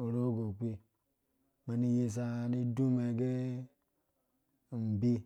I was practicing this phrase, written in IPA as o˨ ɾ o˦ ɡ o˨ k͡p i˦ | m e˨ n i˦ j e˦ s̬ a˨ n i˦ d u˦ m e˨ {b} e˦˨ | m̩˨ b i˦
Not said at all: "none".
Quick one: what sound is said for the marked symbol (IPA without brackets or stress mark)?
ɡ